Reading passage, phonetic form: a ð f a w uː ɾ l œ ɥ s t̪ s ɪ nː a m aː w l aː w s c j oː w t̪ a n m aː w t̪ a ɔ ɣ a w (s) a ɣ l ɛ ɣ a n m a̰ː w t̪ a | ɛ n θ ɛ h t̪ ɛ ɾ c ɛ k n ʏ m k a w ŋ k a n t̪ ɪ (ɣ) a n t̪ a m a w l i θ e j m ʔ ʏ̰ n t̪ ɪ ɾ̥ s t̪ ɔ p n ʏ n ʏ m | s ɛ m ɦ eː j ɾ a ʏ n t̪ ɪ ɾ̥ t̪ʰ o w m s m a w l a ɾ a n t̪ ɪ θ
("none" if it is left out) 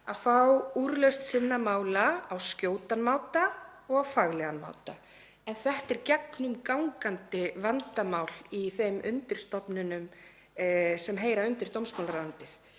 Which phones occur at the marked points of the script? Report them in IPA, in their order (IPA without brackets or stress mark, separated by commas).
f, v